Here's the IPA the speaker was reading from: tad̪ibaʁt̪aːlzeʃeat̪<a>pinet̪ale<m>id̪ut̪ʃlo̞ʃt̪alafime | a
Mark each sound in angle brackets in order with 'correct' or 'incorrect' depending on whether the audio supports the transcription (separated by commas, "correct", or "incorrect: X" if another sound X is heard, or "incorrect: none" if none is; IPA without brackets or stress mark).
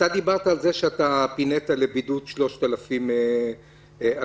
correct, incorrect: b